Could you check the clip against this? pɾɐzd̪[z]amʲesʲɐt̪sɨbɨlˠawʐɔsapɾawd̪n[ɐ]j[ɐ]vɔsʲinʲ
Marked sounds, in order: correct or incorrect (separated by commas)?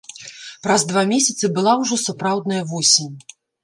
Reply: incorrect, correct, correct